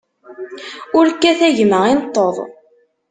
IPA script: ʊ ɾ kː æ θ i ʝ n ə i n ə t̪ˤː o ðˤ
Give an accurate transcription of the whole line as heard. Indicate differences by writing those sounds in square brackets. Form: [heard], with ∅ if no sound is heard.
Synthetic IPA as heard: ʊ ɾ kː æ θ [æ] ʝ [m] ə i n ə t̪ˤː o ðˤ